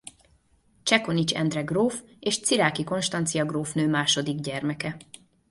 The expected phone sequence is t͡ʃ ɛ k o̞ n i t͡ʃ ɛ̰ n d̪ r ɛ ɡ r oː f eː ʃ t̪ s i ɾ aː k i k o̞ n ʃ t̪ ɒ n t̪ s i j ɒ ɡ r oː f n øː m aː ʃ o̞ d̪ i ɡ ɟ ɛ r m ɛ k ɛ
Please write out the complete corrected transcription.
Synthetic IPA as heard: t͡ʃ ɛ k o̞ n i t͡ʃ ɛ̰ n d̪ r ɛ ɡ r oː f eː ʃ t̪ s i ɾ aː k i k o̞ n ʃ t̪ ɒ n t̪ s i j ɒ ɡ r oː f n øː m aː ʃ o̞ d̪ i ɡ ɟ ɛ r m ɛ k ɛ